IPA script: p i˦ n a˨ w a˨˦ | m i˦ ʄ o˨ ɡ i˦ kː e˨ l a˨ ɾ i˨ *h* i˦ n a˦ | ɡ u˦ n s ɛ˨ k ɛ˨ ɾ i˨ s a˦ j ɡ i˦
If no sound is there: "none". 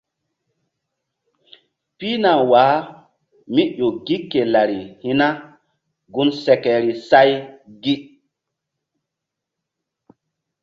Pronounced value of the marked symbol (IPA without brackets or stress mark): h